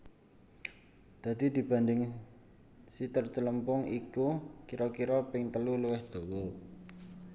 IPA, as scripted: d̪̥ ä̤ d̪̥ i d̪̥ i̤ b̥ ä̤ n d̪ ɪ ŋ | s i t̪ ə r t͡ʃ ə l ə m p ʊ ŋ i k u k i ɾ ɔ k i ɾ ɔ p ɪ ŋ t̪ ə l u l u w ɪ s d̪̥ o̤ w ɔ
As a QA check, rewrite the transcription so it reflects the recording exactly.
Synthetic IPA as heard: d̪̥ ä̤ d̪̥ i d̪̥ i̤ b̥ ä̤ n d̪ ɪ ŋ | s i t̪ ə r t͡ʃ ə l ə m p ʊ ŋ i k u k i ɾ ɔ k i ɾ ɔ p ɪ ŋ t̪ ə l u l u w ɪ h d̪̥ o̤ w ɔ

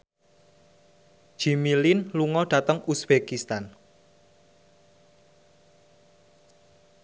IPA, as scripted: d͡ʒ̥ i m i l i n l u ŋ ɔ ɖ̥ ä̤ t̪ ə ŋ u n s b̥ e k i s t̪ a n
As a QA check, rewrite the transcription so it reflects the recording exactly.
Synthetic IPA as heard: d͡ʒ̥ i m i l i n l u ŋ ɔ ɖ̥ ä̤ t̪ ə ŋ u s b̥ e k i s t̪ a n

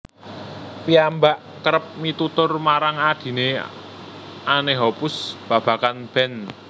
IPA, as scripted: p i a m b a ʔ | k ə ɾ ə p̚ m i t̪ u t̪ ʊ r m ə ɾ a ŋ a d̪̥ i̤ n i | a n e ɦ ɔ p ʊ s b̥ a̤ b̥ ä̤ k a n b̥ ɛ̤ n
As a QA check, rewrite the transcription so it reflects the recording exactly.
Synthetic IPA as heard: p i a m b a ʔ | k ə ɾ ə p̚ m i t̪ u t̪ ʊ r m a ɾ a ŋ a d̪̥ i̤ n e | a n e ɦ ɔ p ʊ s b̥ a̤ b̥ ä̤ k a n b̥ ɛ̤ n

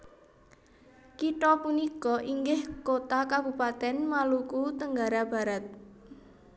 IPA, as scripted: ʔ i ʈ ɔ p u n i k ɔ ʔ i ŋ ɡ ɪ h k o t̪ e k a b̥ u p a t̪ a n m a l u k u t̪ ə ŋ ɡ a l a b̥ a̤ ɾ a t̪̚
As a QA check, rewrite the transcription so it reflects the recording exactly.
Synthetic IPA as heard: k i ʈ ɔ p u n i k ɔ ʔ i ŋ ɡ ɪ h k o t̪ a k a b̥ u p a t̪ ɛ n m a l u k u t̪ ə ŋ ɡ a ɾ a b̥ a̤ ɾ a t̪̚

